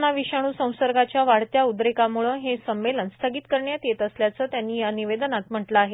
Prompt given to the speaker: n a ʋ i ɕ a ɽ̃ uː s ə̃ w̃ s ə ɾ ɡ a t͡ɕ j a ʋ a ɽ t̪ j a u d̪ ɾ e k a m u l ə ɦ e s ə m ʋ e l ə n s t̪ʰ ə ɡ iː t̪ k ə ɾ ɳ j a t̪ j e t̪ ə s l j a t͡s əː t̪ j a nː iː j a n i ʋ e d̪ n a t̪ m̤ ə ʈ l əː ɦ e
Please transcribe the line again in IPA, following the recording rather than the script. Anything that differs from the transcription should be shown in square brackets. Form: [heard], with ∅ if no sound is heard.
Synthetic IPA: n a ʋ i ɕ a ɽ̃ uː s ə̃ w̃ s ə ɾ ɡ a t͡ɕ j a ʋ a ɽ t̪ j a u d̪ ɾ e k a m u [ɭ] ə ɦ e s ə m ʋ e l ə n s t̪ʰ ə ɡ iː t̪ k ə ɾ ɳ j a t̪ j e t̪ ə s l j a t͡s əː t̪ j a nː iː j a n i ʋ e d̪ n a t̪ m̤ ə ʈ l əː ɦ e